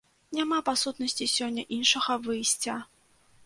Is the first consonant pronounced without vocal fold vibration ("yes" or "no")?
no